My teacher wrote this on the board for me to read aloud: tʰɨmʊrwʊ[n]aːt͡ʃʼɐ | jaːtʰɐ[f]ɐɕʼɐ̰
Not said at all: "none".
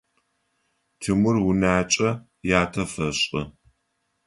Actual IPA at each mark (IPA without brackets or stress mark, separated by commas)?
n, f